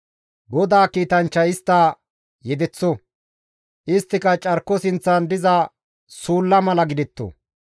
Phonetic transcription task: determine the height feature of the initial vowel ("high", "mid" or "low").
mid